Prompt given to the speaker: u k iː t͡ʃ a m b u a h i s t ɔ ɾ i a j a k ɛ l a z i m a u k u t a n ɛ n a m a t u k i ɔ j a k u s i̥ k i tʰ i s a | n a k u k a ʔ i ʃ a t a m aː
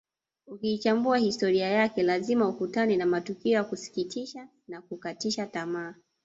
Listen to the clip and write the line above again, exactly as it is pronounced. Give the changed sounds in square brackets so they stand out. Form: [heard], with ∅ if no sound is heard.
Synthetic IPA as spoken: u k iː t͡ʃ a m b u a h i s t ɔ ɾ i a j a k ɛ l a z i m a u k u t a n ɛ n a m a t u k i ɔ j a k u s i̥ k i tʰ i [ʃ] a | n a k u k a [t] i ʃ a t a m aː

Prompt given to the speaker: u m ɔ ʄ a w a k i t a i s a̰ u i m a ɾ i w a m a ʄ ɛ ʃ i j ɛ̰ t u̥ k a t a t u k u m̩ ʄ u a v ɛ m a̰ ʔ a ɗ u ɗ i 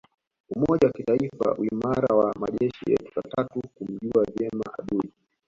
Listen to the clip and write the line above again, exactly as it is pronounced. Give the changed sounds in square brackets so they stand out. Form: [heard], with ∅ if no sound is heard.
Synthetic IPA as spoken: u m ɔ ʄ a w a k i t a i [f] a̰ u i m a ɾ [a] w a m a ʄ ɛ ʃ i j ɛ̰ t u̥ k a t a t u k u m̩ ʄ u a v ɛ m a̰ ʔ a ɗ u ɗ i

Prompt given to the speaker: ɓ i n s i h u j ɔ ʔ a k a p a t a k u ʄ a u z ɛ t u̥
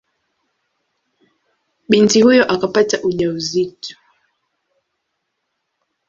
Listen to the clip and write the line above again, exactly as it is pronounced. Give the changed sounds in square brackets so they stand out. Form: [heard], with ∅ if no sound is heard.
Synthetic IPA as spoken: ɓ i n [t] i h u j ɔ ʔ a k a p a t a [ʔ] u ʄ a u z [i] t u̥

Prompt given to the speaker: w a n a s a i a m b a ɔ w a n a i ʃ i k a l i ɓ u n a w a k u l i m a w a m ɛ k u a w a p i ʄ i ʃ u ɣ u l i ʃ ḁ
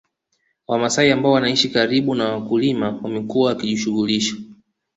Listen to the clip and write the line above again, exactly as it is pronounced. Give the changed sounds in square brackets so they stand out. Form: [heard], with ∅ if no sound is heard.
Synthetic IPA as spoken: w a [m] a s a i a m b a ɔ w a n a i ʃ i k a [ɾ] i ɓ u n a w a k u l i m a w a m ɛ k u a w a [k] i ʄ i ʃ u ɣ u l i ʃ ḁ

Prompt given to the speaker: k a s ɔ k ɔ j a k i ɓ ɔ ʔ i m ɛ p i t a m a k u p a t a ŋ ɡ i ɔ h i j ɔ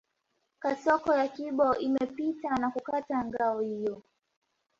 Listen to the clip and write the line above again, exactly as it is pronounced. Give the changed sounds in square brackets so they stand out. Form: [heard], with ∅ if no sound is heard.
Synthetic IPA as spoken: k a s ɔ k ɔ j a k i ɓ ɔ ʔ i m ɛ p i t a [n] a k u [k] a t a ŋ ɡ [a] ɔ h i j ɔ

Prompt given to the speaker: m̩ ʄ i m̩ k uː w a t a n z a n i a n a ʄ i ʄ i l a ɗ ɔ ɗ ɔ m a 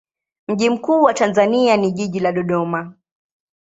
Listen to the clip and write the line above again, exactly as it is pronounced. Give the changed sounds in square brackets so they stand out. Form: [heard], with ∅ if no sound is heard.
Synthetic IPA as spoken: m̩ ʄ i m̩ k uː w a t a n z a n i a n [i] ʄ i ʄ i l a ɗ ɔ ɗ ɔ m a

